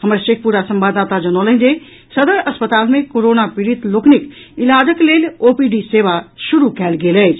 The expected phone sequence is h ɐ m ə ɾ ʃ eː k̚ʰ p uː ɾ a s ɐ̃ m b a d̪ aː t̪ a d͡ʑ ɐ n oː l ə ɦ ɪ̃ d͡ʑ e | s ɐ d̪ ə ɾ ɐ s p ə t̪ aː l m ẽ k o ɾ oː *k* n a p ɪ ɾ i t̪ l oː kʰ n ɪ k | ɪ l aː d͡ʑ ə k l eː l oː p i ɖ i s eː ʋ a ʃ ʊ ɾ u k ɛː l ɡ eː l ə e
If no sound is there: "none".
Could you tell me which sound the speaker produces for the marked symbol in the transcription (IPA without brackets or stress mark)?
none